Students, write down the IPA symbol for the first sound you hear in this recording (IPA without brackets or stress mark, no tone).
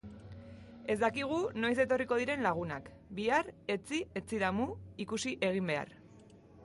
e̞